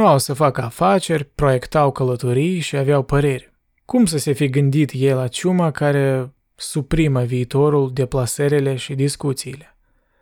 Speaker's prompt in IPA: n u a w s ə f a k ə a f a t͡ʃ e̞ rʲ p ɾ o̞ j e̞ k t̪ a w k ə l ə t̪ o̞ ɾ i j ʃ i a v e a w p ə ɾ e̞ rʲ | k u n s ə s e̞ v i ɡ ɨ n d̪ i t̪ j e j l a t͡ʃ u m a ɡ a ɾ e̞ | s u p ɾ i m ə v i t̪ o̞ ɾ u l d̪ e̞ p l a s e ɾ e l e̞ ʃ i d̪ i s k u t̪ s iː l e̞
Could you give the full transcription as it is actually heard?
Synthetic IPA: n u a w s ə f a k ə a f a t͡ʃ e̞ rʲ p ɾ o̞ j e̞ k t̪ a w k ə l ə t̪ o̞ ɾ i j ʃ i a v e a w p ə ɾ e̞ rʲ | k u m s ə s e̞ f i ɡ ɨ n d̪ i t̪ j e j l a t͡ʃ u m a k a ɾ e̞ | s u p ɾ i m ə v iː t̪ o̞ ɾ u l d̪ e̞ p l a s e ɾ e l e̞ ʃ i d̪ i s k u t̪ s iː l e̞